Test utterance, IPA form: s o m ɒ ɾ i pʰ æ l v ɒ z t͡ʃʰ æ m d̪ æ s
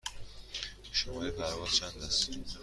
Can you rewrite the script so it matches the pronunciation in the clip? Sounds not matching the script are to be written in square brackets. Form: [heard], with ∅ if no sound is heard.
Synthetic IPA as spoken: [ʃ] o m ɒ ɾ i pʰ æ [ɾ] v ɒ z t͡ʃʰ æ [n] d̪ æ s